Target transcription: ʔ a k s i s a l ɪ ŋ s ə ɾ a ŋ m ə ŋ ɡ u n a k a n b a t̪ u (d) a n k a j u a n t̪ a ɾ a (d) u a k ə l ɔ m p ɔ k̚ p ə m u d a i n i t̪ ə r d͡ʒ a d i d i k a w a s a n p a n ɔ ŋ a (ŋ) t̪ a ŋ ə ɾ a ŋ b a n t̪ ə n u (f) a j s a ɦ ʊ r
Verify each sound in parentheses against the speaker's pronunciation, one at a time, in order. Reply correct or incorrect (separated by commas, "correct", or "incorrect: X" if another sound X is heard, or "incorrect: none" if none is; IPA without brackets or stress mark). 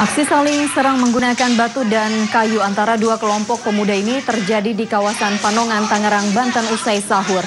correct, correct, incorrect: n, incorrect: s